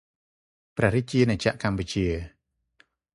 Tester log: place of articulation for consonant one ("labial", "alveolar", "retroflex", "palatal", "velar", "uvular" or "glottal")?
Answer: labial